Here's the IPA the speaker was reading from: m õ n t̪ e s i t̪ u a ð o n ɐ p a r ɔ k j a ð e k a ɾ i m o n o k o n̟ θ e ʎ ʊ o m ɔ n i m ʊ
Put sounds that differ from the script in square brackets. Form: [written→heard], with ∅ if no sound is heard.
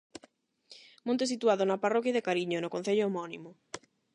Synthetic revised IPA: m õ n t̪ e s i t̪ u a ð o n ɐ p a r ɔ k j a ð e k a ɾ i [m→ɲ] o n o k o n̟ θ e ʎ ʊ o m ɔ n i m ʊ